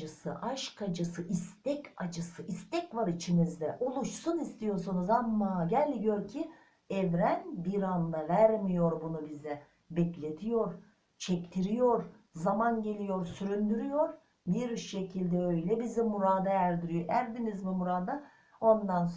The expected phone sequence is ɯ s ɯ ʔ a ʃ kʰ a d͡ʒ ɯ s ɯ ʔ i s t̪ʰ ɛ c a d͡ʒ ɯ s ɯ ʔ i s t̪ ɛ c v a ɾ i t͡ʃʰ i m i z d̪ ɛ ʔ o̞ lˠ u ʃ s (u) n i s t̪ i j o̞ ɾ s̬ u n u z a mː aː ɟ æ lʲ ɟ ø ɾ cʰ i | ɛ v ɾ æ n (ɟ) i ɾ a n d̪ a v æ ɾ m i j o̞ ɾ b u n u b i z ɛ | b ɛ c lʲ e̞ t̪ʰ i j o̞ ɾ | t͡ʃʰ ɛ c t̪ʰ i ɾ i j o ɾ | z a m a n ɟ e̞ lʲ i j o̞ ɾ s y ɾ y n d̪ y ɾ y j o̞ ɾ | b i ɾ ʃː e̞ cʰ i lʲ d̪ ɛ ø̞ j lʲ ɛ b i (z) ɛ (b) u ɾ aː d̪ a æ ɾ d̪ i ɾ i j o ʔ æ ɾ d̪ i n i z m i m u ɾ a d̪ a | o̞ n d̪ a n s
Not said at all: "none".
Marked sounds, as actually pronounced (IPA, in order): u, b, z, m

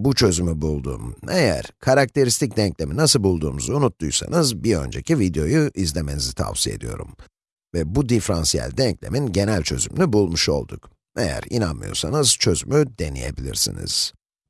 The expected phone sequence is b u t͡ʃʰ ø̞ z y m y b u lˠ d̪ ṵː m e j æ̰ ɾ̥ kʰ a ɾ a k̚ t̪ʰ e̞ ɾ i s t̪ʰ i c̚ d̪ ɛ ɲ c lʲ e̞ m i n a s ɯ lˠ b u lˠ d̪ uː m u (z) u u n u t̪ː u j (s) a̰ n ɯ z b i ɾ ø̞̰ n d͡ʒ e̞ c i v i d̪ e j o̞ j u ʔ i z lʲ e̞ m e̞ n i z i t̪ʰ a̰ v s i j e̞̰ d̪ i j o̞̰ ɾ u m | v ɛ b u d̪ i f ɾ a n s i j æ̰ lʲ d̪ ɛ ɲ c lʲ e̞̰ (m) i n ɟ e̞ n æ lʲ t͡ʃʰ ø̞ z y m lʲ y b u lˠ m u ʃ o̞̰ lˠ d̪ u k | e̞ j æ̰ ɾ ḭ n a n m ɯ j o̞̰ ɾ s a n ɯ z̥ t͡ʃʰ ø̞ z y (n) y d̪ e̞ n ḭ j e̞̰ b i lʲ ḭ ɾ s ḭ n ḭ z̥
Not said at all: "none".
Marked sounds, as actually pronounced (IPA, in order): z, s, m, m

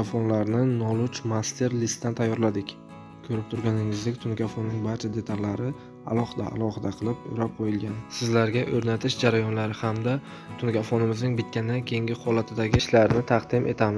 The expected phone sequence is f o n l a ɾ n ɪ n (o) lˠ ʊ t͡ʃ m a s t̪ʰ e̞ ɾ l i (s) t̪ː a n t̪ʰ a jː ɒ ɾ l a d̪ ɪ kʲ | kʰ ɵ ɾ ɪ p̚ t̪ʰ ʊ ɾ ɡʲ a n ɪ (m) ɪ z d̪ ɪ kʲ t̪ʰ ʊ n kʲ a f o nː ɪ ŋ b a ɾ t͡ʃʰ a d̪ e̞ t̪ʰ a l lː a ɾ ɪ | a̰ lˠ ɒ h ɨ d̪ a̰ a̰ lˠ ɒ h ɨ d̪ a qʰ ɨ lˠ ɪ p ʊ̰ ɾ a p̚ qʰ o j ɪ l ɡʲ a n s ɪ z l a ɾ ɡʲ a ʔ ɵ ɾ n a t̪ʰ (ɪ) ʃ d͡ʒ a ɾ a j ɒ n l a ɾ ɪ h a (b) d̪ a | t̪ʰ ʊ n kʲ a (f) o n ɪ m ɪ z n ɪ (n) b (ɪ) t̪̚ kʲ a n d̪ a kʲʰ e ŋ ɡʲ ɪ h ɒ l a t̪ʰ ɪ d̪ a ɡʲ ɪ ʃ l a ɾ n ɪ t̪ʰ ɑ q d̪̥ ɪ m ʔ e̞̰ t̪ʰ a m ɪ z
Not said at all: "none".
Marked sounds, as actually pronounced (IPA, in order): ɒ, s, ŋ, ɪ, m, f, ŋ, ɪ

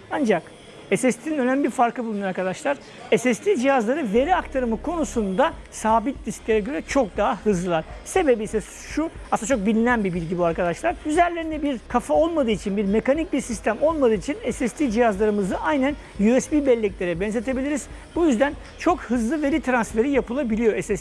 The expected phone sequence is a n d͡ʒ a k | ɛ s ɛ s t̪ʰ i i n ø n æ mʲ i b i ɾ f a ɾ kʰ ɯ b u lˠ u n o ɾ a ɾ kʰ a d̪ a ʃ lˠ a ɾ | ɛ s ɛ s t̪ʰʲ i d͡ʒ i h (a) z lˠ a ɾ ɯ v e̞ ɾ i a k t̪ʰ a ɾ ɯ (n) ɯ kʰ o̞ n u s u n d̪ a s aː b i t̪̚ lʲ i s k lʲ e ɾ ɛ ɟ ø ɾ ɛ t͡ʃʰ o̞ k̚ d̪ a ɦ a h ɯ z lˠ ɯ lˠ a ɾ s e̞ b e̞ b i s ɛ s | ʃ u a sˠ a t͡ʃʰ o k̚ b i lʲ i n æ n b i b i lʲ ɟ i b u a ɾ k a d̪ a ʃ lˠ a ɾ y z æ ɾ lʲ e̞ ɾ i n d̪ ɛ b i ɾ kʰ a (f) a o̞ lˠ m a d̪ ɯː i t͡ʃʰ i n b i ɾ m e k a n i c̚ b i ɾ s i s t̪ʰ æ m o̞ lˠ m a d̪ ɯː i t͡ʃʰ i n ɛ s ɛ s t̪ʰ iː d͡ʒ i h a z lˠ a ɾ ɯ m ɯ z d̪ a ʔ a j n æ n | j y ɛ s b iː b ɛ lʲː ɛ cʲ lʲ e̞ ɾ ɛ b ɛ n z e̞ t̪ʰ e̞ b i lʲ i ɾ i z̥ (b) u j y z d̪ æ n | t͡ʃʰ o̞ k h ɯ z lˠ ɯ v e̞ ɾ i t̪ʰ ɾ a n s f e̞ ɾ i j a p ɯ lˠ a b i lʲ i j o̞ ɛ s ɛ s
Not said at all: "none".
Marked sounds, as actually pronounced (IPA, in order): a, m, f, b

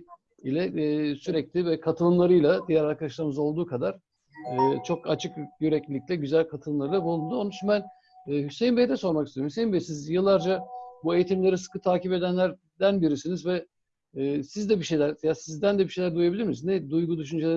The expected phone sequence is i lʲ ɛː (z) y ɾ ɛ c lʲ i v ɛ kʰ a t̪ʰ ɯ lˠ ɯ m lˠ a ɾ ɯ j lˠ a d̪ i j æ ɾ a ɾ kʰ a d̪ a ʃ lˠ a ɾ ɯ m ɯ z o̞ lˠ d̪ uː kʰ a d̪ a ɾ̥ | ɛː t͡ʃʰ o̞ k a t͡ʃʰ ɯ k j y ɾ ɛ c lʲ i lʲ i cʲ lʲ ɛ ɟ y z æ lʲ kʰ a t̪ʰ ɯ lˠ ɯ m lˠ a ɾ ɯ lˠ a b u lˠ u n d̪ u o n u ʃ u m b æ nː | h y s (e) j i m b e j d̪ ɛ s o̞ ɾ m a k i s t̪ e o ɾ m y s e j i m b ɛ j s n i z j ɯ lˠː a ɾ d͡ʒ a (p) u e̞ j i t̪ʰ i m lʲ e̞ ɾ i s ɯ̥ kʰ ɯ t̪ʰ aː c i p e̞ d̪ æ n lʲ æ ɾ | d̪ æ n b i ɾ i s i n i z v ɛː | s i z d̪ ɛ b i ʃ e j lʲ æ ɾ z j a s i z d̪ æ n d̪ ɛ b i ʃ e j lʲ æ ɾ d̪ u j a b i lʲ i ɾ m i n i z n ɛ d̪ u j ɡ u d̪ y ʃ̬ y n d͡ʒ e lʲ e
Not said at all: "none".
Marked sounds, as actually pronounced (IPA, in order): s, e, b

